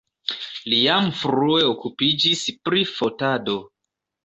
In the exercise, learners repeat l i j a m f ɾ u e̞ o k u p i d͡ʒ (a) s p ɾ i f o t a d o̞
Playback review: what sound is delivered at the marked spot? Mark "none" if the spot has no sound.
i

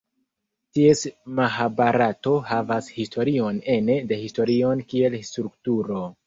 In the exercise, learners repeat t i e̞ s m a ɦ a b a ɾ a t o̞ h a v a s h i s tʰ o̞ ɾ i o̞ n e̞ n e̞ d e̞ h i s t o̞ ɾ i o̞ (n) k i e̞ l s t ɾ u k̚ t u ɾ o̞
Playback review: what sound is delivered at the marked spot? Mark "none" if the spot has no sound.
n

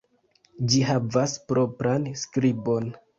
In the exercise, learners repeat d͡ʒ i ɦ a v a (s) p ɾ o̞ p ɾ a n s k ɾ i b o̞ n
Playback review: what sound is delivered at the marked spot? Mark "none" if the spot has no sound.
s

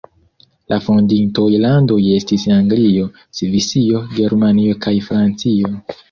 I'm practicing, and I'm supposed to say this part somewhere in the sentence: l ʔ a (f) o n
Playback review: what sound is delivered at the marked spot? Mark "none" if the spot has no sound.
f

